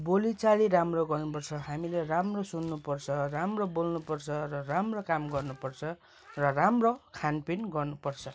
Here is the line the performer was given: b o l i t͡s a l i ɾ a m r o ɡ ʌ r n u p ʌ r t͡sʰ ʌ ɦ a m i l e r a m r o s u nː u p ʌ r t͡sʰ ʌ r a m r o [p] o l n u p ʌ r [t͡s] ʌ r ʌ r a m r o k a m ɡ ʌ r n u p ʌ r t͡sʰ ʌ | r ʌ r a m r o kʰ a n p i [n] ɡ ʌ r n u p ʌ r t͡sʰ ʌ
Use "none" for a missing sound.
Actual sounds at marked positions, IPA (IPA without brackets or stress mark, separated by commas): b, t͡sʰ, n